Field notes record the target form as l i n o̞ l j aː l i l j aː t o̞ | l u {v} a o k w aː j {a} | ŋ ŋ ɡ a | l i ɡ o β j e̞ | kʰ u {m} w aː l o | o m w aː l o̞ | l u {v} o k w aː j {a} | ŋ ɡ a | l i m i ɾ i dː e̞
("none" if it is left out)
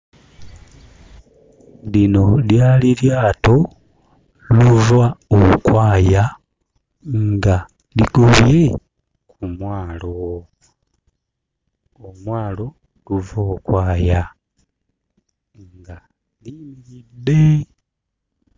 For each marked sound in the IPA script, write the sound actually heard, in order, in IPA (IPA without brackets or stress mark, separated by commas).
v, a, m, v, a